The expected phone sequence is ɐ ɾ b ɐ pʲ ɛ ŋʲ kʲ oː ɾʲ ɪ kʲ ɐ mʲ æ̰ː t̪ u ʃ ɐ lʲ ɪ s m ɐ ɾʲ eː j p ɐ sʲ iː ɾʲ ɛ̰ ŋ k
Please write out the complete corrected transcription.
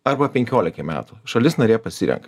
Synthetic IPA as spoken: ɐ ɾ b ɐ pʲ ɛ ŋʲ kʲ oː lʲ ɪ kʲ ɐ mʲ æ̰ː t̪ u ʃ ɐ lʲ ɪ s n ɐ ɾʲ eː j p ɐ sʲ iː ɾʲ ɛ̰ ŋ k